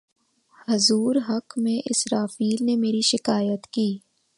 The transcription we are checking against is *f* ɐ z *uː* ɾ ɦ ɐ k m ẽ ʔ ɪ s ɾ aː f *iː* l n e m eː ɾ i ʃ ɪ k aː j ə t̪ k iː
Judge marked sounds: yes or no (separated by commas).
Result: no, yes, yes